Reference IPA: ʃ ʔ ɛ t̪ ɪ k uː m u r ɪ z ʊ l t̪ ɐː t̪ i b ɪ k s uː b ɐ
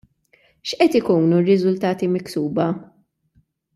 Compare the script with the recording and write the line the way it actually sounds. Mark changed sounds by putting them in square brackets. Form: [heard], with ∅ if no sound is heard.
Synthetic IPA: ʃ ʔ ɛ t̪ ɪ k uː [n] u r ɪ z ʊ l t̪ ɐː t̪ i [m] ɪ k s uː b ɐ